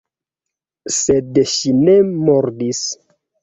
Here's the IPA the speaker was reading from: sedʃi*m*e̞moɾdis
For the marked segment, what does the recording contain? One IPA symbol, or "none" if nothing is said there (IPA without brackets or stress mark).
n